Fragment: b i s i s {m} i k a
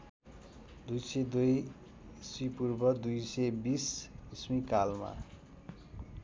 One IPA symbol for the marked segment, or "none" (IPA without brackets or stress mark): m